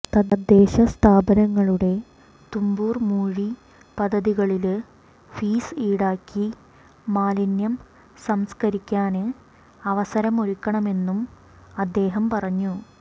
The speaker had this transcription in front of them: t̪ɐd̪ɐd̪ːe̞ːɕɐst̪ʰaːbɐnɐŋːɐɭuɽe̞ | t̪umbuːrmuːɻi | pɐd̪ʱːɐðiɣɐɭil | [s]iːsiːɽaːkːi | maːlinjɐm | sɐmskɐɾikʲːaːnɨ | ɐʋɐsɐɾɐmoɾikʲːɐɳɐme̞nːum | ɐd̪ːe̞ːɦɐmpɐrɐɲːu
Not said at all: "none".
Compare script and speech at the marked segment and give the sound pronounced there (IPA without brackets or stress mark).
f